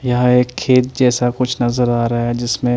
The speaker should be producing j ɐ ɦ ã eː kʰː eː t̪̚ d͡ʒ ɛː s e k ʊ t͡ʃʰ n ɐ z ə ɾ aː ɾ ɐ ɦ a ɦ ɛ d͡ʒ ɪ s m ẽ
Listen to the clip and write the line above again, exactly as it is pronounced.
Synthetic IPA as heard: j ɐ ɦ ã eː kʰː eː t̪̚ d͡ʒ ɛː s a k ʊ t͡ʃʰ n ɐ z ə ɾ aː ɾ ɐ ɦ a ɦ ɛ d͡ʒ ɪ s m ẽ